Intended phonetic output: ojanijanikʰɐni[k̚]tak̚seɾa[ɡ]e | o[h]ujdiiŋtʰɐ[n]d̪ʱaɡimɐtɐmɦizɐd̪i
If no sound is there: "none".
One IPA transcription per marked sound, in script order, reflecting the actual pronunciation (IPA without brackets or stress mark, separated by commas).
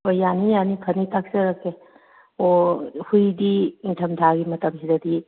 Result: none, k, h, m